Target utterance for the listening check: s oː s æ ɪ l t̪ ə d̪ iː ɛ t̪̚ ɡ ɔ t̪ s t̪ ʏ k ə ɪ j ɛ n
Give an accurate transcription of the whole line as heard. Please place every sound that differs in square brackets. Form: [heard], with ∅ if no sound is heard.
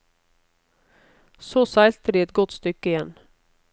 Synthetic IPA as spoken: s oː s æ ɪ l t̪ ə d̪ iː ɛ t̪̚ ɡ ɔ t̪ s t̪ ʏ k ə ɪ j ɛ n